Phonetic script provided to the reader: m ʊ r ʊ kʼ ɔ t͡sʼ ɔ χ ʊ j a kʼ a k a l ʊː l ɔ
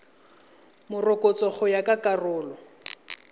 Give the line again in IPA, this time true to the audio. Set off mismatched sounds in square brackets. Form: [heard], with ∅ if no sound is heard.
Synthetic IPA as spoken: m ʊ r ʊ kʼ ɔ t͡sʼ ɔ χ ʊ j a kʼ a k a [r] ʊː l ɔ